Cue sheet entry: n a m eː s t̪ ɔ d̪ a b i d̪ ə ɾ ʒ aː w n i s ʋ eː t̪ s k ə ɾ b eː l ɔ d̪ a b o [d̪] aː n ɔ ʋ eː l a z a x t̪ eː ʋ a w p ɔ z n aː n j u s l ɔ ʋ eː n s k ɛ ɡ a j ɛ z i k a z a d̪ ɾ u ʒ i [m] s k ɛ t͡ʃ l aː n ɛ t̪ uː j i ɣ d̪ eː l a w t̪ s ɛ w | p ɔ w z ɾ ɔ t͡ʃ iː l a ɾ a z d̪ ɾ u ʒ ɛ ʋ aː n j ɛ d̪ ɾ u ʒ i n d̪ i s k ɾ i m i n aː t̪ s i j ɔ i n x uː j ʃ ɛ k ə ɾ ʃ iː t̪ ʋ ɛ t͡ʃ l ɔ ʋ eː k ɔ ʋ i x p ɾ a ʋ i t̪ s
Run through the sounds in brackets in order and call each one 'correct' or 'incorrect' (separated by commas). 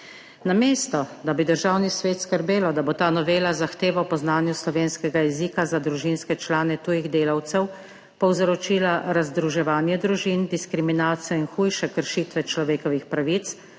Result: incorrect, incorrect